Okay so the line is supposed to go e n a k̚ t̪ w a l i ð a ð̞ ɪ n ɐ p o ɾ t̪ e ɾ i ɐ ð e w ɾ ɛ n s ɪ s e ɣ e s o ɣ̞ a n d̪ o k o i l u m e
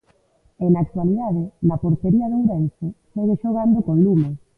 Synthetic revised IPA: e n a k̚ t̪ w a l i ð a ð̞ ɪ n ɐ p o ɾ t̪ e ɾ i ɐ ð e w ɾ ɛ n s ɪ s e ɣ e ʃ o ɣ̞ a n d̪ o k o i l u m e